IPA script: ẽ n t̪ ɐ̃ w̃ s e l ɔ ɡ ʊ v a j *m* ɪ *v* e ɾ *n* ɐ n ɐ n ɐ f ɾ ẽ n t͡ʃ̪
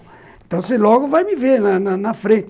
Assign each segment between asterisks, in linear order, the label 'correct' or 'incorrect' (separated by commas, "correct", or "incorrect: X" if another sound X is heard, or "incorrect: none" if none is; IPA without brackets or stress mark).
correct, correct, correct